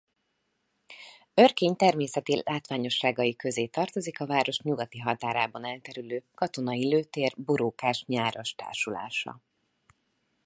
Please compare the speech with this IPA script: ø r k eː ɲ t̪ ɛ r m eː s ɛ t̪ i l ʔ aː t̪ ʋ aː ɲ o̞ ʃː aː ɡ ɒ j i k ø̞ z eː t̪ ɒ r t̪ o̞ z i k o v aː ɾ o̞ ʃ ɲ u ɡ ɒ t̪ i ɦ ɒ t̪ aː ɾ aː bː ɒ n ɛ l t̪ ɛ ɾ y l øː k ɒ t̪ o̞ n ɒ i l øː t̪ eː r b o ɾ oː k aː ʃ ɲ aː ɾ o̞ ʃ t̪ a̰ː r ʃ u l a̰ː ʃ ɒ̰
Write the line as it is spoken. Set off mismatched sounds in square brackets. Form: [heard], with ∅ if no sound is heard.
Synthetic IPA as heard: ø r k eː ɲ t̪ ɛ r m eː s ɛ t̪ i l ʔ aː t̪ ʋ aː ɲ o̞ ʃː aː ɡ ɒ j i k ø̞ z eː t̪ ɒ r t̪ o̞ z i k [ɒ] v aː ɾ o̞ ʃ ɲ u ɡ ɒ t̪ i ɦ ɒ t̪ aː ɾ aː [b] ɒ n ɛ l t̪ ɛ ɾ y l øː k ɒ t̪ o̞ n ɒ i l øː t̪ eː r b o ɾ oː k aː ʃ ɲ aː ɾ o̞ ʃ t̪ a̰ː r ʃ u l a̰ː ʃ ɒ̰